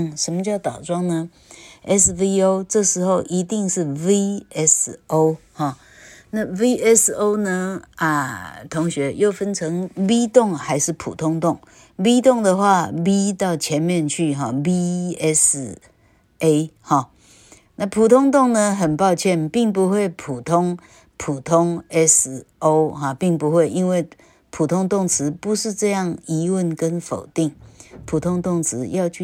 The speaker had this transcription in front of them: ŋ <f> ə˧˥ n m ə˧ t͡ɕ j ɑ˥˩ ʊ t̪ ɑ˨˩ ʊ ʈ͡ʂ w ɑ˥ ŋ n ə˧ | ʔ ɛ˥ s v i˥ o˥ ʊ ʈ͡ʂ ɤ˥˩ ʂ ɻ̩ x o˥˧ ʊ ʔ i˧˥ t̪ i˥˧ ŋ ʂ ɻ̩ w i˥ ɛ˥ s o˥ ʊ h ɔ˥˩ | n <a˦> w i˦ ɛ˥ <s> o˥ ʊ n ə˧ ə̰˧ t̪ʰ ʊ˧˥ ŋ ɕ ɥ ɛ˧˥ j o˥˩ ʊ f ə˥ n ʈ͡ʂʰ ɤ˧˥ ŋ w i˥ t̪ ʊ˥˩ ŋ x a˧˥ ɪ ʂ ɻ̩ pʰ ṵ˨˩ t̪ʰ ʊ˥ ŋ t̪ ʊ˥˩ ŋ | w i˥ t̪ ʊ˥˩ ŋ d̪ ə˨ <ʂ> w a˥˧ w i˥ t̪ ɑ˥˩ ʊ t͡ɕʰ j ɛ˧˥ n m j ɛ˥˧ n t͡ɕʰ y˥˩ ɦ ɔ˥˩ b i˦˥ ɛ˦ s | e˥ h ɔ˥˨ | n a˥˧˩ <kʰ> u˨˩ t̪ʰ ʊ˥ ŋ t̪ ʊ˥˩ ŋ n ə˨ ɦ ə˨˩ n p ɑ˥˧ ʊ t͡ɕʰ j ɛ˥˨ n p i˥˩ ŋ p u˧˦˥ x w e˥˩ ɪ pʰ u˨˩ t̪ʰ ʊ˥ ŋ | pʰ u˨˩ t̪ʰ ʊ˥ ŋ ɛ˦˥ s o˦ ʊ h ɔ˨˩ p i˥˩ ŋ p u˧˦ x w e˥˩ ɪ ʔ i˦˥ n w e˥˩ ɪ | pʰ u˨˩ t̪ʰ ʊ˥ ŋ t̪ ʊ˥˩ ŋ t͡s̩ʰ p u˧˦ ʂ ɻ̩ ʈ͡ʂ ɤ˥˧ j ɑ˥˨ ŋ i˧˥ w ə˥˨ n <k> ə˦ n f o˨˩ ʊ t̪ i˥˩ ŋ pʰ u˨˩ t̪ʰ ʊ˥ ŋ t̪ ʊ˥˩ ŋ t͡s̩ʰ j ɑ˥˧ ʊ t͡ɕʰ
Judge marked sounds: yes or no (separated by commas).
no, no, yes, no, no, yes